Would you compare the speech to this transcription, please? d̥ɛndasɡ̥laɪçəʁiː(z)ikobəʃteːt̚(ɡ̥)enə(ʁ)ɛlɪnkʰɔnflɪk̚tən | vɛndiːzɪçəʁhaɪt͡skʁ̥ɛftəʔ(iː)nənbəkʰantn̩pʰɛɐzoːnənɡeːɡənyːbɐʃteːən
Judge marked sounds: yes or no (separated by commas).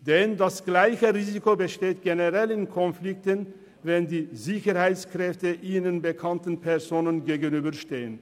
yes, yes, yes, yes